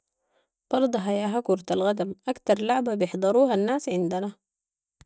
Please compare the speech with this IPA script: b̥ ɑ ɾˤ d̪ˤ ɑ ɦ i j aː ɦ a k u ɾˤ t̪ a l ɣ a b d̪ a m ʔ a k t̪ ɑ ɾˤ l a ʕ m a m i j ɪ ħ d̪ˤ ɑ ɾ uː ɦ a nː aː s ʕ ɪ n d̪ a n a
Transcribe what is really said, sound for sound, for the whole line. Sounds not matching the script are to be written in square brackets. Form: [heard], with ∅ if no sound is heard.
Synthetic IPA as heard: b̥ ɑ ɾˤ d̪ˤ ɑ ɦ [a] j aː ɦ a k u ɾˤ t̪ a l ɣ a [∅] d̪ a m ʔ a k t̪ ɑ ɾˤ l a ʕ [b] a [b] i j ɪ ħ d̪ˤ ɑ ɾ uː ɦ a nː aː s ʕ ɪ n d̪ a n a